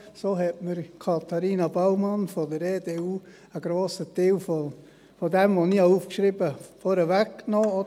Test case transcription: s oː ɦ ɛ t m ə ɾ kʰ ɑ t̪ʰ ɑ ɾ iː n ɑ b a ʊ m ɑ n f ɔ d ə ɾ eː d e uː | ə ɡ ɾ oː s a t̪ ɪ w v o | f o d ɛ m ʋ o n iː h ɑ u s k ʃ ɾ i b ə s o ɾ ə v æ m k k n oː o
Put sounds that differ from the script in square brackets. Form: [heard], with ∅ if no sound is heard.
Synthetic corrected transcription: s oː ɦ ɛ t m ə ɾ kʰ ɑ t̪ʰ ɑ ɾ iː n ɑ b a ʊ m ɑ n f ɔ d ə ɾ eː d e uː | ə ɡ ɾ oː s [ə] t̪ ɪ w [f] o | f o d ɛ m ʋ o n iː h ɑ u [f] k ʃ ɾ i b ə [f] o ɾ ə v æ [∅] k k n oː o

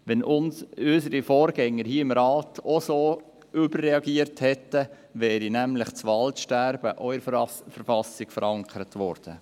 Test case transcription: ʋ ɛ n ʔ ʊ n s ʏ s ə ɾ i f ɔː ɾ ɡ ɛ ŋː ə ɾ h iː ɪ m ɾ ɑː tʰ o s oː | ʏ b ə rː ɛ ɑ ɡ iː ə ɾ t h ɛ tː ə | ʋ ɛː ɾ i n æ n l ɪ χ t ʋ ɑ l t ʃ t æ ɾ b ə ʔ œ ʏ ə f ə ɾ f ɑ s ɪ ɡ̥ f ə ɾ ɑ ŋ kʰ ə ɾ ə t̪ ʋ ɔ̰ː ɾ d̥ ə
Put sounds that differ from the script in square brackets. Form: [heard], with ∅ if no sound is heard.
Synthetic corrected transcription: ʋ ɛ n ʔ ʊ n s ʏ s ə ɾ i f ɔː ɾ ɡ ɛ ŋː ə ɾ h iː ɪ m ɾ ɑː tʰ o s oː | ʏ b ə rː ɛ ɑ ɡ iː ə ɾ t h ɛ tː ə | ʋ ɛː ɾ i n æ [m] l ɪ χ [t͡s] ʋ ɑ l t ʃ t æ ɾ b ə ʔ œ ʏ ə f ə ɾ f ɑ s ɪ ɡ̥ f ə ɾ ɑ ŋ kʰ ə ɾ ə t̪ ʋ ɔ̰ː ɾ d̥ ə

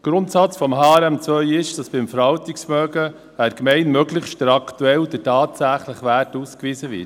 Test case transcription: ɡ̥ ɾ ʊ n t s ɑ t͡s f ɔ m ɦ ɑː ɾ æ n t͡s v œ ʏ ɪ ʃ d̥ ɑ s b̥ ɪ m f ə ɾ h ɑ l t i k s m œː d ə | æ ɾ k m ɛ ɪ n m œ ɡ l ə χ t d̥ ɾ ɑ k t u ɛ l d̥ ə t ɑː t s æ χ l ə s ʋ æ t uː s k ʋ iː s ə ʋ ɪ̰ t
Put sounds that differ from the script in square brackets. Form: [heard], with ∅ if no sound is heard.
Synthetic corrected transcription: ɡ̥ ɾ ʊ n t s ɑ t͡s f ɔ m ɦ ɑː ɾ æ [m] t͡s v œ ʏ ɪ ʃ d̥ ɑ s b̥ ɪ m f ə ɾ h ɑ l t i k s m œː [ɡ] ə | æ ɾ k m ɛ ɪ n m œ ɡ l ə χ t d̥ ɾ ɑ k t u ɛ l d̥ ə t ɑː t s æ χ l ə [χ] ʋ æ t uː s k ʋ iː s ə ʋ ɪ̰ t

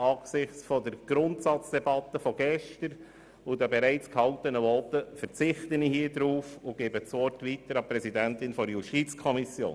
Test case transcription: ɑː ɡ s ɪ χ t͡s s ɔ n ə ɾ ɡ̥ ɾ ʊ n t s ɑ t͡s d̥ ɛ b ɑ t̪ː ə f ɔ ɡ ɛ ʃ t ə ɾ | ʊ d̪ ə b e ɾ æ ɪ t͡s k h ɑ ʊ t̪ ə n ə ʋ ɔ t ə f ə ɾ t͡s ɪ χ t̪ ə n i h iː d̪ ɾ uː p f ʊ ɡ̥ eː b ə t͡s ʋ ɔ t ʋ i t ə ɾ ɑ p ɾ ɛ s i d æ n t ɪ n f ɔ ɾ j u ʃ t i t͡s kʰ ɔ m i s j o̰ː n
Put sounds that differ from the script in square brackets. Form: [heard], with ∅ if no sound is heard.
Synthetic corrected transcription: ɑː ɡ s ɪ χ t͡s [f] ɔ [d] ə ɾ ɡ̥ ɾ ʊ n t s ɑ t͡s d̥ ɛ b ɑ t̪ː ə f ɔ ɡ ɛ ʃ t ə ɾ | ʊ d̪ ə b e ɾ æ ɪ t͡s k h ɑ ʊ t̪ ə n ə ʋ ɔ t ə f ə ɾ t͡s ɪ χ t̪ ə n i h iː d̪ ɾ uː [∅] f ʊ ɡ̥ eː b ə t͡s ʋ ɔ t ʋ i t ə ɾ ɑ p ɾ ɛ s i d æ n t ɪ n f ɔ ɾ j u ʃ t i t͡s kʰ ɔ m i s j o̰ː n

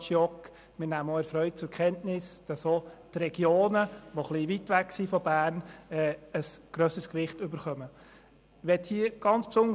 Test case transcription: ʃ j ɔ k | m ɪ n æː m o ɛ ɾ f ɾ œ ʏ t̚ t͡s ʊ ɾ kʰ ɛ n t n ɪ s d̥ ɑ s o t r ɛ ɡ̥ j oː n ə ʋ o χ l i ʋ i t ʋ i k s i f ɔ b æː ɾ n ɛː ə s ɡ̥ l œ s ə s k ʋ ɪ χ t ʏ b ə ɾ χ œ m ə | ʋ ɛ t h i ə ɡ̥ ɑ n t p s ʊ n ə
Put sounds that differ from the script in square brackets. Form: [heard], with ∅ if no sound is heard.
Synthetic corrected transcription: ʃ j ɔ k | m ɪ n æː m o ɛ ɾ f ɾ œ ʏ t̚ t͡s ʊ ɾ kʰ ɛ n t n ɪ s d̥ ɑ s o t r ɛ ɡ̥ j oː n ə ʋ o χ l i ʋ i t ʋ [æ] k s i f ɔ b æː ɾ n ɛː ə s ɡ̥ [ɾ] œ s ə s k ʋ ɪ χ t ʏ b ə ɾ χ œ m ə | ʋ ɛ t h i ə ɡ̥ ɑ n [t͡s] p s ʊ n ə

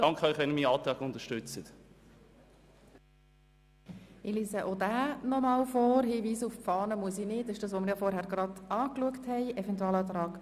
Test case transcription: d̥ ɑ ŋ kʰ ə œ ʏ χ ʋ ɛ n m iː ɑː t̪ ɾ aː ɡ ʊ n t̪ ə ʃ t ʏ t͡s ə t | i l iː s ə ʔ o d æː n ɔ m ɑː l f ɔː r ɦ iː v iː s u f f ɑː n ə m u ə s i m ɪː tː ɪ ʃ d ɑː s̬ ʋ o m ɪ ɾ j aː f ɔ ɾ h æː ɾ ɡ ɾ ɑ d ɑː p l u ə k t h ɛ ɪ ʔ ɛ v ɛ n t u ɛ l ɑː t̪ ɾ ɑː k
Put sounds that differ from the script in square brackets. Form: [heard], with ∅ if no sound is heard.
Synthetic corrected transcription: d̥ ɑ ŋ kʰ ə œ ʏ χ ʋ ɛ n m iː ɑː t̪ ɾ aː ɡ ʊ n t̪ ə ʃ t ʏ t͡s ə t | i l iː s ə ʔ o d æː n ɔ m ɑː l f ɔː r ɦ iː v iː s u f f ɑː n ə m u ə s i [n] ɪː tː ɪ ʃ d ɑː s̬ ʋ o m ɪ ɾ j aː f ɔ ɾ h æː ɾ ɡ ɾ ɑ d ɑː [k] l u ə k t h ɛ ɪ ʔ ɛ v ɛ n t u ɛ l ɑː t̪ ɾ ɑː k

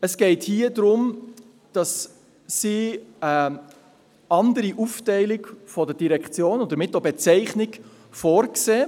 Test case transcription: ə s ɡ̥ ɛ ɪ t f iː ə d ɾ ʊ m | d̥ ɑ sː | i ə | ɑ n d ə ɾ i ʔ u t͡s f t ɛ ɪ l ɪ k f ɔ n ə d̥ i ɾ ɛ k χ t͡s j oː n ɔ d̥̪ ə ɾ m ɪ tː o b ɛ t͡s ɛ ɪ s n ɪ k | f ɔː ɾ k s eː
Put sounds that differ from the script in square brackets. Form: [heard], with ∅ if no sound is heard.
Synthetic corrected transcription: ə s ɡ̥ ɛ ɪ t [h] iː ə d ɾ ʊ m | d̥ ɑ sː | i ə | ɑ n d ə ɾ i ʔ u [∅] f t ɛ ɪ l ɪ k f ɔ [d] ə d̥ i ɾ ɛ k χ t͡s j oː n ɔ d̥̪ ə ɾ m ɪ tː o b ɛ t͡s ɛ ɪ [χ] n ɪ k | f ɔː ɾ k s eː

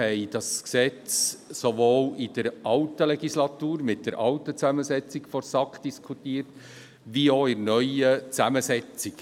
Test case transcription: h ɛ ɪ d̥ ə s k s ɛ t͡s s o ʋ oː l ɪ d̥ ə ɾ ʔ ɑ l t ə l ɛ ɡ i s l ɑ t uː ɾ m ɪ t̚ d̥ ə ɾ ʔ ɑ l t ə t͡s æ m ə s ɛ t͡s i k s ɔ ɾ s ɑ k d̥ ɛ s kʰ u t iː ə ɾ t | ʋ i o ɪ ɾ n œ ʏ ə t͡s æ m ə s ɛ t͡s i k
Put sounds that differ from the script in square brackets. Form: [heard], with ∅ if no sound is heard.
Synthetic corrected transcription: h ɛ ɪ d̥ [ɑ] s k s ɛ t͡s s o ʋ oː l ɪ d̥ ə ɾ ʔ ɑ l t ə l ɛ ɡ i s l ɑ t uː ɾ m ɪ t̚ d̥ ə ɾ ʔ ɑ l t ə t͡s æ m ə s ɛ t͡s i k [f] ɔ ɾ s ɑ k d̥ [i] s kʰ u t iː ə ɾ t | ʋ i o ɪ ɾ n œ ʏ ə t͡s æ m ə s ɛ t͡s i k

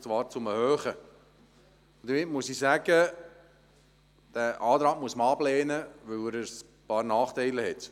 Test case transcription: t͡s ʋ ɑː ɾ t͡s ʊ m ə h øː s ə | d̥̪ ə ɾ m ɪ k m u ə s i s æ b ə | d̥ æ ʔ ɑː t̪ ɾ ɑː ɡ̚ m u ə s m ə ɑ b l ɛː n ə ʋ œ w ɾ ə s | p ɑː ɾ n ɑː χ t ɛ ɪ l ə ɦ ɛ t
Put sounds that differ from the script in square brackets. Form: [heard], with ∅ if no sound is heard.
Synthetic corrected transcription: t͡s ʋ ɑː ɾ t͡s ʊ m ə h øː [χ] ə | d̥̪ ə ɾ m ɪ [t] m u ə s i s æ [ɡ] ə | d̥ æ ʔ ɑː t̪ ɾ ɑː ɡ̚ m u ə s m ə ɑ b l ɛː n ə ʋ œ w ɾ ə s | p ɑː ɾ n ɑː χ t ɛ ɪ l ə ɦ ɛ t

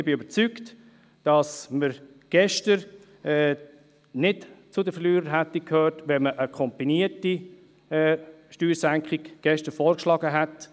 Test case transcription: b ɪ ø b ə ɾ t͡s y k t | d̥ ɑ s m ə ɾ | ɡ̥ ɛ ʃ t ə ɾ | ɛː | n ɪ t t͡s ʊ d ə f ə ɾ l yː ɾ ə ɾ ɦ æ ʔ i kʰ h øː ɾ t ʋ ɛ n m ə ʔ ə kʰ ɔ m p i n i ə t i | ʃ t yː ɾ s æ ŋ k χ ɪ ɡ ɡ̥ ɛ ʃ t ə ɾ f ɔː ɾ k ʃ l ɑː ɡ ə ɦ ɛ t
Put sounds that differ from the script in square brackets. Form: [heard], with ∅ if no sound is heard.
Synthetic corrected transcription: b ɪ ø b ə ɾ t͡s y k t | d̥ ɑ s m ə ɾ | ɡ̥ ɛ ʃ t ə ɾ | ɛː | n ɪ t t͡s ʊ d ə f ə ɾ l yː ɾ ə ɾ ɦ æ [t] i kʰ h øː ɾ t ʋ ɛ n m ə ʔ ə kʰ ɔ m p i n i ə t i | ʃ t yː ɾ s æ ŋ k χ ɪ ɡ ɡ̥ ɛ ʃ t ə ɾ f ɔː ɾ k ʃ l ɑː ɡ ə ɦ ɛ t

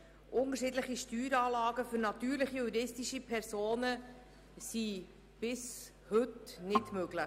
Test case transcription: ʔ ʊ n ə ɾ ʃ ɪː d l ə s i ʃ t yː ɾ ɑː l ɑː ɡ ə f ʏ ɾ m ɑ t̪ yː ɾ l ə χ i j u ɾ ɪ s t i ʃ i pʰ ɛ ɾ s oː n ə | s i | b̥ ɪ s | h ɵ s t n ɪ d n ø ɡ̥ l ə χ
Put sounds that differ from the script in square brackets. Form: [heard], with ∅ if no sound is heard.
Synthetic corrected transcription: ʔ ʊ n ə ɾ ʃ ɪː d l ə [χ] i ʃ t yː ɾ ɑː l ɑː ɡ ə f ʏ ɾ [n] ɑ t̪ yː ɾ l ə χ i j u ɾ ɪ s t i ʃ i pʰ ɛ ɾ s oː n ə | s i | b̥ ɪ s | h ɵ [∅] t n ɪ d [m] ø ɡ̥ l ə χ

